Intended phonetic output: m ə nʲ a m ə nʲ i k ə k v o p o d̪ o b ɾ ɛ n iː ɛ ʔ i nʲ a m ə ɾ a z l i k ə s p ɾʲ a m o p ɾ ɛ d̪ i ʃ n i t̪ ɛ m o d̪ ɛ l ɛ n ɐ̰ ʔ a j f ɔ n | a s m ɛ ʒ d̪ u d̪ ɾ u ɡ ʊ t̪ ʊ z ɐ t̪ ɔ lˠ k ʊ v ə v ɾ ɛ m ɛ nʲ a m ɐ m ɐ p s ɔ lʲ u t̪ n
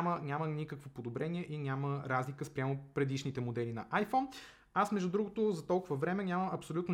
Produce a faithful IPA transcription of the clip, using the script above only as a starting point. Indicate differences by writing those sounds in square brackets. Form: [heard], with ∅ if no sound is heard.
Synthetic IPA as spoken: m ə nʲ a m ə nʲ i k ə k v o p o d̪ o b ɾ ɛ n [i] ɛ ʔ i nʲ a m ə ɾ a z l i k ə s p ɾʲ a m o p ɾ ɛ d̪ i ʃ n i t̪ ɛ m o d̪ ɛ l [i] n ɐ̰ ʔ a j f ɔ n | a s m ɛ ʒ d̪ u d̪ ɾ u ɡ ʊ t̪ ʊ z ɐ t̪ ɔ lˠ k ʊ v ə v ɾ ɛ m ɛ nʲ a m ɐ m ɐ p s [o] lʲ u t̪ n